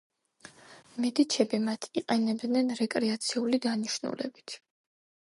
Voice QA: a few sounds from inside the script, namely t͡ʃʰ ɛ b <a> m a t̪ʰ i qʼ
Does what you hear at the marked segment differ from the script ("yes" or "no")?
yes